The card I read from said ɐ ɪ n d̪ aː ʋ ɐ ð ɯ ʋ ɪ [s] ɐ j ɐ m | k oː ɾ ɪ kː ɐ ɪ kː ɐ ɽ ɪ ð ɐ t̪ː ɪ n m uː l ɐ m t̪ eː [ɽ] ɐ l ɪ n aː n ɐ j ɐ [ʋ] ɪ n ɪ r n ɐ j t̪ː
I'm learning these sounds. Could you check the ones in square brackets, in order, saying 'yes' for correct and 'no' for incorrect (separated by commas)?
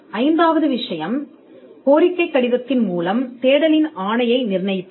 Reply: no, yes, no